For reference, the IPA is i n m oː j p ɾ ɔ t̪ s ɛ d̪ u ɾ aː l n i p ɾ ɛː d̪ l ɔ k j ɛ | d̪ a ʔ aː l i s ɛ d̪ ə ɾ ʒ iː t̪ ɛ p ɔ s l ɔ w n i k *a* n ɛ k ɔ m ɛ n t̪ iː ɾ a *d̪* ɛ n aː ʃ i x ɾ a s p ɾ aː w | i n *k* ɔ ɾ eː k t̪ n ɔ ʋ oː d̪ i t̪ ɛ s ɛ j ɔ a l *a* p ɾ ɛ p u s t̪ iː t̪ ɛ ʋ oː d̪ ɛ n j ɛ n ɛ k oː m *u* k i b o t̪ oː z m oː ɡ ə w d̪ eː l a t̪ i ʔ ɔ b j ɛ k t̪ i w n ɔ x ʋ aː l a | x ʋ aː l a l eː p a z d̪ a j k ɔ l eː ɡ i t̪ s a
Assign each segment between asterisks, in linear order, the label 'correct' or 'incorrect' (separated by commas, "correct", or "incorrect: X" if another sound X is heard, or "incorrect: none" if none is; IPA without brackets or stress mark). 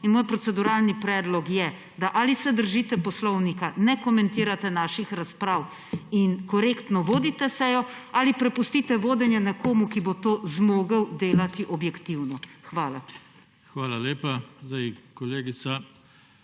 correct, incorrect: t̪, correct, incorrect: i, correct